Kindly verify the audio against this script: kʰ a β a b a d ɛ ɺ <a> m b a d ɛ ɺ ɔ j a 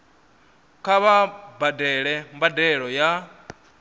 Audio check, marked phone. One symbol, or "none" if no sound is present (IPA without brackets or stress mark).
ɛ